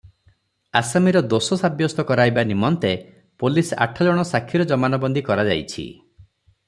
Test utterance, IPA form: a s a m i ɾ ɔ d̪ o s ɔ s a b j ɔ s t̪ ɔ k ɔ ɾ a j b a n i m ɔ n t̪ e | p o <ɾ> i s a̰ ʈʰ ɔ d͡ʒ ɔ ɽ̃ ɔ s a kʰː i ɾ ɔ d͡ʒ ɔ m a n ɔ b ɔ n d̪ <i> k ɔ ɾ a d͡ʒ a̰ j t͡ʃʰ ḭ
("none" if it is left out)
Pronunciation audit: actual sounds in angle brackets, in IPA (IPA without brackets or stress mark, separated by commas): l, i